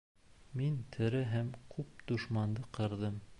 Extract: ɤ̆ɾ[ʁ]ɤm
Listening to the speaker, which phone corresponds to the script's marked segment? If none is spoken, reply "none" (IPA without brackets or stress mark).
ð